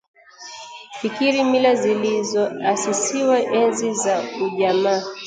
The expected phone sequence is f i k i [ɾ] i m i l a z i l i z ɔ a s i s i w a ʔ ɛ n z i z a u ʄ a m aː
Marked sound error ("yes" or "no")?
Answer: no